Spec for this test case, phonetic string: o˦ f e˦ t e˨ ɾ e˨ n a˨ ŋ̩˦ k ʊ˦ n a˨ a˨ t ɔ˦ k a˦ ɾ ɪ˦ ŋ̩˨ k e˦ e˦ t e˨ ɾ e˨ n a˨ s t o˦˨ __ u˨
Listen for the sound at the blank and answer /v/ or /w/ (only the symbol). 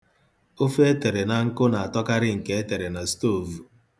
v